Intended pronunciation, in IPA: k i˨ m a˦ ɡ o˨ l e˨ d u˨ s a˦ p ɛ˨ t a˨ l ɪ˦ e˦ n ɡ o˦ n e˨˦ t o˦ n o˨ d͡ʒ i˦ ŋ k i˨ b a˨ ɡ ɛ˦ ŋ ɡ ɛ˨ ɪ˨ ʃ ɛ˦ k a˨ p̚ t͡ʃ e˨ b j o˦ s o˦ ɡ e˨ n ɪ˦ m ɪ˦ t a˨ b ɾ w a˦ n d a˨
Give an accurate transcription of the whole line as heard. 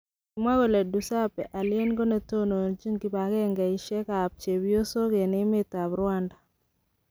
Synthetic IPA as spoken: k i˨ m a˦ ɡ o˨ l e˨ d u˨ s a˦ p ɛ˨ ʔ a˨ l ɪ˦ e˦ n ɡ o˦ n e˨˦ t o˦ n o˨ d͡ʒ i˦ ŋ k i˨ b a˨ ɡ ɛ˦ ŋ ɡ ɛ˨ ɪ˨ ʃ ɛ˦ k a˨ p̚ t͡ʃ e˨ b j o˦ s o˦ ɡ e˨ n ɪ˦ m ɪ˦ t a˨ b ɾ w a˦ n d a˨